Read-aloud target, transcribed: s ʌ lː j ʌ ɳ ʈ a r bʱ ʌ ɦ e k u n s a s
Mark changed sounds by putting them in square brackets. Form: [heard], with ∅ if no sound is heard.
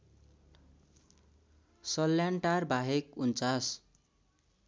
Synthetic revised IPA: s ʌ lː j [a] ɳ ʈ a r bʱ [a] ɦ e k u n [t͡s] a s

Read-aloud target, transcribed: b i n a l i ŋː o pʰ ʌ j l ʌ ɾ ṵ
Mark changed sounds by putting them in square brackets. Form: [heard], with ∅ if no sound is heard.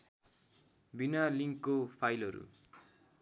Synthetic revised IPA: b i n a l i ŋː o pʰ [a] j l ʌ ɾ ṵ

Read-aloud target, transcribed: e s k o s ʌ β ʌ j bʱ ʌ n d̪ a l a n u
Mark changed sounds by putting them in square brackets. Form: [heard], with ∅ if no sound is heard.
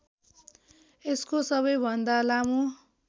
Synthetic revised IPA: e s k o s ʌ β ʌ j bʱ ʌ n d̪ a l a [m] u

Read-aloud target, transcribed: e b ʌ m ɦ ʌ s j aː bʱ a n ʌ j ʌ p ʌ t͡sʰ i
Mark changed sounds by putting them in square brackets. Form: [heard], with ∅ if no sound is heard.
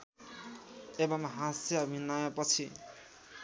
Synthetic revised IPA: e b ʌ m ɦ [a] s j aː bʱ [i] n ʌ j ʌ p ʌ t͡sʰ i

